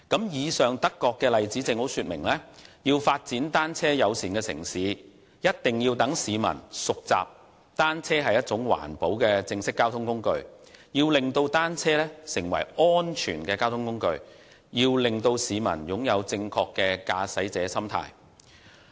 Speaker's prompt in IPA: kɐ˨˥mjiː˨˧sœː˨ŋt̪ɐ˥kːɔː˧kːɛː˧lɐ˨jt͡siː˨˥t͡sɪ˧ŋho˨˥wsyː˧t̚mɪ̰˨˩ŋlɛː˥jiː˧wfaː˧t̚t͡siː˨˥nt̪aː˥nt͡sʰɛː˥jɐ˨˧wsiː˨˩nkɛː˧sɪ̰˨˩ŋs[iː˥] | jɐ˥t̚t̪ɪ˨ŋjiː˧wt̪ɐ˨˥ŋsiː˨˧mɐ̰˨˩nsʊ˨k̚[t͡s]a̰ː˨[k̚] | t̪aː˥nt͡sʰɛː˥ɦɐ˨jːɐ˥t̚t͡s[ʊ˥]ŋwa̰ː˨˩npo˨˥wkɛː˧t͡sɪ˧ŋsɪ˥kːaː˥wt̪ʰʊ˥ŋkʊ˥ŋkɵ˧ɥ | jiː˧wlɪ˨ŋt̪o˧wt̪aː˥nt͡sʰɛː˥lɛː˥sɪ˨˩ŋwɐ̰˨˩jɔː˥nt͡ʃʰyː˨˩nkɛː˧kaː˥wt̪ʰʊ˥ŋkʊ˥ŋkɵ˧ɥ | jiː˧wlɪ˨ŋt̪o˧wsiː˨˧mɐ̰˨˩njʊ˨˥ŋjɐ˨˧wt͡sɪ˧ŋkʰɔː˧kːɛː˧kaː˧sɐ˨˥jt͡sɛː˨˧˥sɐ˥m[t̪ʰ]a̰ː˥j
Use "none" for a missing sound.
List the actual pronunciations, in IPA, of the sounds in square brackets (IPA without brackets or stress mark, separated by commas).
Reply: iː˨˦, t͡s, p̚, ʊ˨˥, t̪ʰ